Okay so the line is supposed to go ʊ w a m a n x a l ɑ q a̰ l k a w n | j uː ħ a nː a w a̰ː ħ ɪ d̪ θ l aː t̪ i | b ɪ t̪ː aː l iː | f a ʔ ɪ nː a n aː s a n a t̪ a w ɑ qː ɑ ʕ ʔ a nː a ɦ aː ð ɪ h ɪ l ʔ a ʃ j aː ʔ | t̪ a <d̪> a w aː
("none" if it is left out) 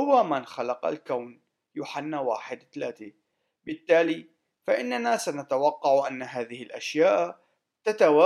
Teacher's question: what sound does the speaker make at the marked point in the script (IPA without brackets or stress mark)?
t̪